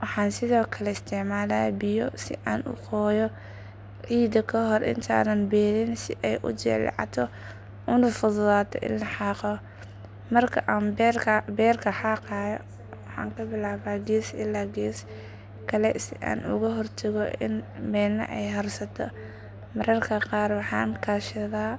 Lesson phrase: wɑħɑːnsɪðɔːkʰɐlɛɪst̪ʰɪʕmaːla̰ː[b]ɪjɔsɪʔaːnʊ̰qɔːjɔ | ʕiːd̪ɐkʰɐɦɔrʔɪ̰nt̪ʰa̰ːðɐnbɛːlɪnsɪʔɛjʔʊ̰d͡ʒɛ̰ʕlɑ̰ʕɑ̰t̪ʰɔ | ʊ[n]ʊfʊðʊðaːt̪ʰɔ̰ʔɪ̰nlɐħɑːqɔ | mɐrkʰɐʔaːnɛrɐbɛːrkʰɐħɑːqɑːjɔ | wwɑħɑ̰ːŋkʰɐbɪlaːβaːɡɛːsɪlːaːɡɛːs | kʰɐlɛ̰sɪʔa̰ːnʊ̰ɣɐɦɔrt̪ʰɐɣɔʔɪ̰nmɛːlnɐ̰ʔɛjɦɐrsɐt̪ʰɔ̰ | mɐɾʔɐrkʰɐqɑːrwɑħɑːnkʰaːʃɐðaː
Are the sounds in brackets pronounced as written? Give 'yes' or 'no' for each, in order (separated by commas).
yes, yes